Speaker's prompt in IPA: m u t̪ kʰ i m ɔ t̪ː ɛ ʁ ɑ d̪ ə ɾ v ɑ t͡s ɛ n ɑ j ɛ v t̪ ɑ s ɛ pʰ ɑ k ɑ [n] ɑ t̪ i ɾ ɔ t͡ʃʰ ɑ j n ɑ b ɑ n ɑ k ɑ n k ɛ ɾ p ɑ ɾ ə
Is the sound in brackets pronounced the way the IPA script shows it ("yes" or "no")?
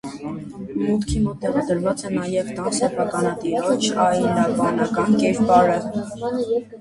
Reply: yes